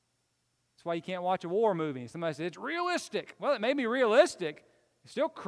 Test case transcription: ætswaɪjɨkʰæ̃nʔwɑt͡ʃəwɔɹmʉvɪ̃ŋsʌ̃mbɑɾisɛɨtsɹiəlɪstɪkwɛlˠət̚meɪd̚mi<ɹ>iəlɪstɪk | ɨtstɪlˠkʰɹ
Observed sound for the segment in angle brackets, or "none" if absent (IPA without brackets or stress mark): ɹ